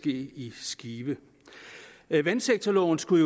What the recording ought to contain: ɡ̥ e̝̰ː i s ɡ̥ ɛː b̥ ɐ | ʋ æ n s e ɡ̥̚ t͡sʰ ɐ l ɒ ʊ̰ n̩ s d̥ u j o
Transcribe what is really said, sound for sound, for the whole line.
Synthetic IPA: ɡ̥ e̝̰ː i s ɡ̥ iː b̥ ə | ʋ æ n s e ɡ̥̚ t͡sʰ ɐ l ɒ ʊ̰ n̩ s ɡ̥ u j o